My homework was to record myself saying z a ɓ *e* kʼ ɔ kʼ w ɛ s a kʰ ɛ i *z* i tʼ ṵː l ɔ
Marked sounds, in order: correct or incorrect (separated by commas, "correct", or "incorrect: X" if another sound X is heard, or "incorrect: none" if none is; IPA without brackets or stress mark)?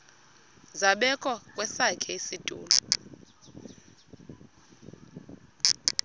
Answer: incorrect: ɛ, incorrect: s